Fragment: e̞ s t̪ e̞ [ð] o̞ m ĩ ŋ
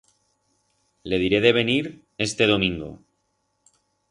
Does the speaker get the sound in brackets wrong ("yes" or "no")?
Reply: no